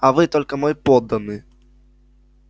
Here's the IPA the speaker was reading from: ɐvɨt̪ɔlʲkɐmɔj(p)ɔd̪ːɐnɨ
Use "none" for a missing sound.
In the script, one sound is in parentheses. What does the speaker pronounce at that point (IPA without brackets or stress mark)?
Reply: p